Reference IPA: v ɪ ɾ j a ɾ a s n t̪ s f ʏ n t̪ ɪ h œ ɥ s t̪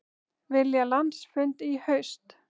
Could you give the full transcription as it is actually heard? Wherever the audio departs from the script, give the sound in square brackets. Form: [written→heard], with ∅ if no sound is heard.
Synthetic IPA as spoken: v ɪ [ɾ→l] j a [ɾ→l] a [s→∅] n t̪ s f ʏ n t̪ [ɪ→i] h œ ɥ s t̪